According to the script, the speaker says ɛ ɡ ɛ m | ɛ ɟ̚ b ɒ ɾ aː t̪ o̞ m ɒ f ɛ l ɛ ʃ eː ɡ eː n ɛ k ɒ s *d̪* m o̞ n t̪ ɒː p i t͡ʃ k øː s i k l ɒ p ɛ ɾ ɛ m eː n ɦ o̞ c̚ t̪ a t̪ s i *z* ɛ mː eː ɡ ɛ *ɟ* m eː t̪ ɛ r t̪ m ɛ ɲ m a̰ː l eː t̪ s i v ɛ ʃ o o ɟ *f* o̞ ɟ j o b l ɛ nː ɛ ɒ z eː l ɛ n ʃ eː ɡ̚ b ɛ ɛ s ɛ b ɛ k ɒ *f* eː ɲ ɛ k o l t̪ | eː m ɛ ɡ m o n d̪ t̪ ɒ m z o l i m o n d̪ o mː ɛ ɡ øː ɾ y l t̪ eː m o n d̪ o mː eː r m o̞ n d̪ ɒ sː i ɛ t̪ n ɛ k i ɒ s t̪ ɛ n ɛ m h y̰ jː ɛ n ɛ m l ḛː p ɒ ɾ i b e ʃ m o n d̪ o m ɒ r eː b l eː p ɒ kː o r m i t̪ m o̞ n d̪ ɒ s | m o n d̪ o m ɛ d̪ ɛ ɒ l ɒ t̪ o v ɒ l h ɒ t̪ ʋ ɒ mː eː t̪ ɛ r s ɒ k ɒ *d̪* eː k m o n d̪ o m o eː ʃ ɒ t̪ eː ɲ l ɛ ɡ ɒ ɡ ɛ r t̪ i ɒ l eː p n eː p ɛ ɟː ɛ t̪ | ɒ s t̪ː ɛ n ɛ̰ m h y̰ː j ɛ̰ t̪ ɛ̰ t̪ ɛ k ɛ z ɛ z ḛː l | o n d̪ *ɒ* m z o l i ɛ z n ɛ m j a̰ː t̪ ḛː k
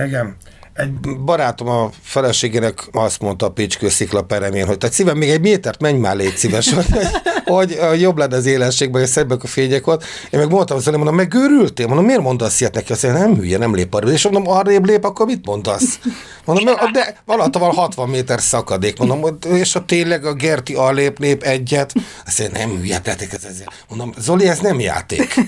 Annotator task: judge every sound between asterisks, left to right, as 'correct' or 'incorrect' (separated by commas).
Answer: incorrect, incorrect, correct, incorrect, correct, correct, incorrect